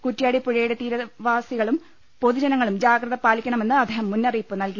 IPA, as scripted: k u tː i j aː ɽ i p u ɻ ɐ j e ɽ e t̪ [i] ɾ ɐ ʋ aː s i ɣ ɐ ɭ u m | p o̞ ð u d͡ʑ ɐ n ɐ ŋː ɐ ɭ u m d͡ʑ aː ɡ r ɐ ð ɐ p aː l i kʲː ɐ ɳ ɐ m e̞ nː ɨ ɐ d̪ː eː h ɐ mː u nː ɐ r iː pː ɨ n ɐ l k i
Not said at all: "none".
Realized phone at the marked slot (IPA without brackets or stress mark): iː